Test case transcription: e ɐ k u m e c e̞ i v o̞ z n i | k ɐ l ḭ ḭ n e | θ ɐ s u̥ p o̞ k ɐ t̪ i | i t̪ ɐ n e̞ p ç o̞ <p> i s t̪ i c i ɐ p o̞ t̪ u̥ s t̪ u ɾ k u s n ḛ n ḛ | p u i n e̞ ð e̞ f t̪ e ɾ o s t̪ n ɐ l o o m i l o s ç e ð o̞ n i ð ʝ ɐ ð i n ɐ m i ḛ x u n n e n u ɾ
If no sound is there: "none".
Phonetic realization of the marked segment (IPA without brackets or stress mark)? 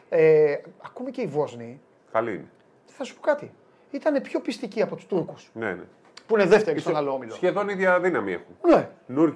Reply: p